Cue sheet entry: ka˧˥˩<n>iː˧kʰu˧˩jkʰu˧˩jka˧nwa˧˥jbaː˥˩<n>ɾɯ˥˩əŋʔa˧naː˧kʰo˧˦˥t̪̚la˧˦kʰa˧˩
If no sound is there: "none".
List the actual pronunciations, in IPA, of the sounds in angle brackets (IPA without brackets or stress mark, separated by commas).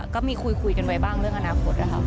m, ŋ